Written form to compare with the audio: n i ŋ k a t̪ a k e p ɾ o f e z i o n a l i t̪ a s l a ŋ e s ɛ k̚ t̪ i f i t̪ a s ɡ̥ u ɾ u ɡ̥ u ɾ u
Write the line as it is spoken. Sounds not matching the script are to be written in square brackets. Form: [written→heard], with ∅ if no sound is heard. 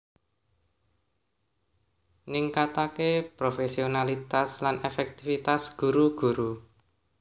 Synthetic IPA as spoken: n i ŋ k a t̪ a k e p ɾ o f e [z→s] i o n a l i t̪ a s l a [ŋ→n] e [s→f] ɛ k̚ t̪ i f i t̪ a s ɡ̥ u ɾ u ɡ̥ u ɾ u